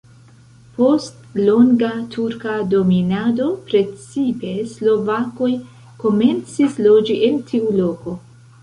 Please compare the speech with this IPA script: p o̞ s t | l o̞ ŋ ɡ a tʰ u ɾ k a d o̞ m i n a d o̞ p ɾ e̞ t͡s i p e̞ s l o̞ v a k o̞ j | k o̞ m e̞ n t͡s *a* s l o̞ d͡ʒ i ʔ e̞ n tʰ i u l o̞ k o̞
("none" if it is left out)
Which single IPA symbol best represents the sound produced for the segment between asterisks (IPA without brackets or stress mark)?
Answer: i